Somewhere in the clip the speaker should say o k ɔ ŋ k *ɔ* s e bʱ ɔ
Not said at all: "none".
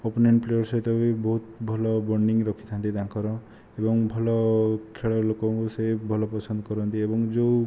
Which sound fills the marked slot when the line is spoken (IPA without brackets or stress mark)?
u